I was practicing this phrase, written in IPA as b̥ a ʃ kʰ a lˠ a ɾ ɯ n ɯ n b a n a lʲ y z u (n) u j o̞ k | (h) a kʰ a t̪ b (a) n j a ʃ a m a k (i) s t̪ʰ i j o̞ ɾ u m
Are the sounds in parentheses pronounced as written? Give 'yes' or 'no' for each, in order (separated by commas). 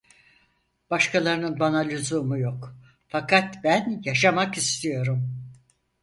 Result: no, no, no, yes